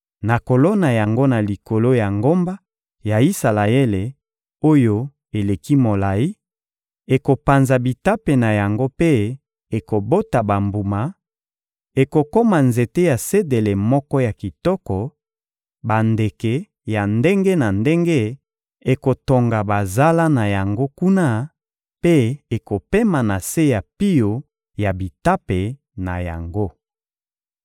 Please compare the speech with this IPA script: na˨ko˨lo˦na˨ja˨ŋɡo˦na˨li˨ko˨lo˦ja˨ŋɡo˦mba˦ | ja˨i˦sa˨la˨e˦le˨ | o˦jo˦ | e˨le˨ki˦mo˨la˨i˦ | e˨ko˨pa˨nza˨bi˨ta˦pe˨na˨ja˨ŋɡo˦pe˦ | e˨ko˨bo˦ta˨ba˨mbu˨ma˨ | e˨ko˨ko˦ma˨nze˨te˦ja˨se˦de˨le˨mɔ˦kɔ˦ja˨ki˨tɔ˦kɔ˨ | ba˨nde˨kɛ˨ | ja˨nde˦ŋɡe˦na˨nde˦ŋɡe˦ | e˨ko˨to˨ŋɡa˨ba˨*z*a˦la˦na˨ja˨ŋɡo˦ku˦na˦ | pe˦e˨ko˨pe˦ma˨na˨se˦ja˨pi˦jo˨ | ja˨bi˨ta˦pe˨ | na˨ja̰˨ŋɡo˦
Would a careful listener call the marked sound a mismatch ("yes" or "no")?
no